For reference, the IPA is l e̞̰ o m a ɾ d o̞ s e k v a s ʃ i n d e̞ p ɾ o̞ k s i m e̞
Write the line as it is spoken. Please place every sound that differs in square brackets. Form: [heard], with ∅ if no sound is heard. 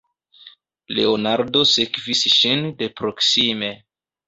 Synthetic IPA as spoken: l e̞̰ o [n] a ɾ d o̞ s e k v [i] s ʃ i n d e̞ p ɾ o̞ k s i m e̞